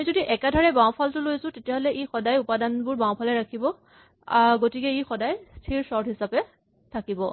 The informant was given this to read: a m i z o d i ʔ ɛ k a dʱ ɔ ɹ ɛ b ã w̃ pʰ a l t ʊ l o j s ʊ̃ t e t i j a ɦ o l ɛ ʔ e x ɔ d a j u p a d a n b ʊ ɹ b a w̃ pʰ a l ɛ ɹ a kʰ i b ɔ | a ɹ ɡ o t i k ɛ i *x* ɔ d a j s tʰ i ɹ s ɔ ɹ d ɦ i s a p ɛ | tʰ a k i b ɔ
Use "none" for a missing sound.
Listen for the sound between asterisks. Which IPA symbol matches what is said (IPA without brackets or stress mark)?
x